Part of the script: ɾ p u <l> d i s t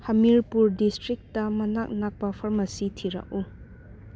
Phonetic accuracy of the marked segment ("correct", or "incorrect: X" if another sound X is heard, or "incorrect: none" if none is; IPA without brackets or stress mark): incorrect: ɾ